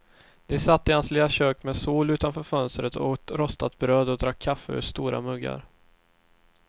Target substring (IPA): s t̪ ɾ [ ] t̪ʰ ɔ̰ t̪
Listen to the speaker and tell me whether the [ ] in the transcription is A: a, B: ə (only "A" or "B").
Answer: B